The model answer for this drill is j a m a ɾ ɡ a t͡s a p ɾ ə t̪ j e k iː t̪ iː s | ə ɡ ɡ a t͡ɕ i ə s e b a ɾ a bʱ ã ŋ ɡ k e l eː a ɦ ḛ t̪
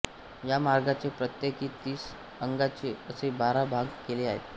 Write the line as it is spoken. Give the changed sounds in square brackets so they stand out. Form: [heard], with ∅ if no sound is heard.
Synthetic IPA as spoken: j a m a ɾ ɡ a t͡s [e] p ɾ ə t̪ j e k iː t̪ iː s | ə [ŋ] ɡ a t͡ɕ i ə s e b a ɾ a bʱ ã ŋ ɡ k e l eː a ɦ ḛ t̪